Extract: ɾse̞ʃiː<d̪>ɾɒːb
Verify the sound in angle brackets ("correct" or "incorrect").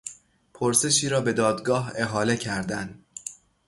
incorrect